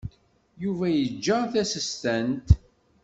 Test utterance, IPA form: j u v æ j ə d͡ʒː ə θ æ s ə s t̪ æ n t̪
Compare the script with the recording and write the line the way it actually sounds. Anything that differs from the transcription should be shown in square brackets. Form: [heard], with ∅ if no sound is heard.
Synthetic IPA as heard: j u v æ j ə d͡ʒː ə θ æ s ə s t̪ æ n t̪